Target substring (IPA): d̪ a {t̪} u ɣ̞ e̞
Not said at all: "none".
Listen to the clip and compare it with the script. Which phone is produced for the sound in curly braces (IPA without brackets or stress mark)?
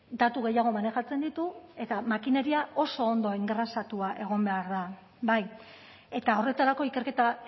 t̪